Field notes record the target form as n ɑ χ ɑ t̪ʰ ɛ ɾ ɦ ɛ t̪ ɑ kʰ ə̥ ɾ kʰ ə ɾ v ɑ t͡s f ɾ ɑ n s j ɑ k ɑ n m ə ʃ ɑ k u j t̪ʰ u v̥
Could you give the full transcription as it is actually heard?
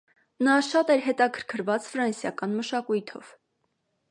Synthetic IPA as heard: n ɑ ʃ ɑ t̪ ɛ ɾ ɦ ɛ t̪ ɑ kʰ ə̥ ɾ kʰ ə ɾ v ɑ t͡s f ɾ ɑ n s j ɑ k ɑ n m ə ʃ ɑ k u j t̪ʰ ɔ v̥